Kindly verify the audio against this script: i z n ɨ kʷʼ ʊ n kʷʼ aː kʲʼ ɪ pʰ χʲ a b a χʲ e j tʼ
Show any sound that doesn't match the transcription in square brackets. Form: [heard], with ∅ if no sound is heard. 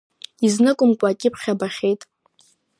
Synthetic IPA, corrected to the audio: i z n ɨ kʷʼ ʊ [m] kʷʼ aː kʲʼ ɪ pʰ χʲ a b a χʲ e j tʼ